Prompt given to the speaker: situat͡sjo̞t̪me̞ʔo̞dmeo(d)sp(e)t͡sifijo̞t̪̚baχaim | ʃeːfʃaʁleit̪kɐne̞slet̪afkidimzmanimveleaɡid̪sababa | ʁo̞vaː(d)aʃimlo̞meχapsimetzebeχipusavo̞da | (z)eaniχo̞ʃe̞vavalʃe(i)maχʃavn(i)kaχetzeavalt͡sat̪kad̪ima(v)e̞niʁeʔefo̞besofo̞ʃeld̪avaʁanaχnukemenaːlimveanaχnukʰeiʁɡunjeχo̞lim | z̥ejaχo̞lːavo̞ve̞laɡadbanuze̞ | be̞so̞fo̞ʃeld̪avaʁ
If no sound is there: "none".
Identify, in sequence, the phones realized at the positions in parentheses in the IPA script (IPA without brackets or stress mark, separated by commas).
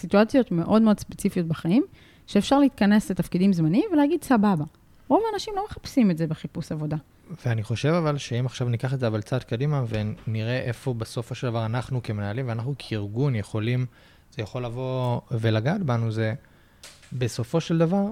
d, e, n, v, i, i, v